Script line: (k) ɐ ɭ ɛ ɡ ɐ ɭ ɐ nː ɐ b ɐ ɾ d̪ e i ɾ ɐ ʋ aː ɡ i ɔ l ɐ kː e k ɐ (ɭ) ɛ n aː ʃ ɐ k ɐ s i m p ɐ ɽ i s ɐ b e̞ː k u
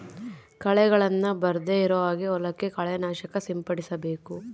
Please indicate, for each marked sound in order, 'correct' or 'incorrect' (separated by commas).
correct, correct